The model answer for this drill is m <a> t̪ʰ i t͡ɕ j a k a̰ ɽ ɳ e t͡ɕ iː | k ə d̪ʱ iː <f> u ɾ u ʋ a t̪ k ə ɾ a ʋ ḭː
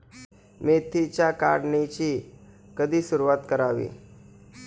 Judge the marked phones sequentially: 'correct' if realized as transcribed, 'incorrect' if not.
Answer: incorrect, incorrect

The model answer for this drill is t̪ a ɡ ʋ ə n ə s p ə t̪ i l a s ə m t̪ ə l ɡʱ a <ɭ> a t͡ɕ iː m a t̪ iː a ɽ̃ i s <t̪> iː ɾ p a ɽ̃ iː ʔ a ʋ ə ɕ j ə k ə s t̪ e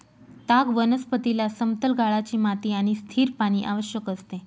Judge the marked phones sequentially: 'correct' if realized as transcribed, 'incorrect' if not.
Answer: correct, incorrect

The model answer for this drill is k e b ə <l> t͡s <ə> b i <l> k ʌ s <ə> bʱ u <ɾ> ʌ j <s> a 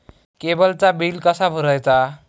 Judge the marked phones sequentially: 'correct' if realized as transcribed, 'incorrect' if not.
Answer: correct, incorrect, correct, incorrect, correct, incorrect

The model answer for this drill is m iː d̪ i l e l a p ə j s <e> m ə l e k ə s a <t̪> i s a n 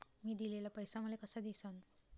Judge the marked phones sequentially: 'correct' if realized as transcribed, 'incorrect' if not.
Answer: incorrect, incorrect

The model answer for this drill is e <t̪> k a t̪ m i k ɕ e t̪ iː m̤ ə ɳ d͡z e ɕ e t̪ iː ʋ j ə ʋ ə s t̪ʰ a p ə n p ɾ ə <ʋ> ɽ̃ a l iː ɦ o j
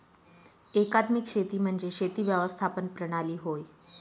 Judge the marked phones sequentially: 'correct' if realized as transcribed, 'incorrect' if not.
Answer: incorrect, incorrect

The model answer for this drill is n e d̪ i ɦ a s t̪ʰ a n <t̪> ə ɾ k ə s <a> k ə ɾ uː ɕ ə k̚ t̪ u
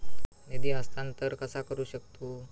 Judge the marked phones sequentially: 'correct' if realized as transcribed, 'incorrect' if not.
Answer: correct, correct

